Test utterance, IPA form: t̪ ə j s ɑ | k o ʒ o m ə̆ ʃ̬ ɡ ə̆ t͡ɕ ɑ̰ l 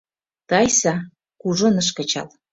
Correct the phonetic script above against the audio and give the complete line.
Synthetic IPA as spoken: t̪ ɑ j s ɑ | k u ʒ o n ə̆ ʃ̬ k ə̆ t͡ɕ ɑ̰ l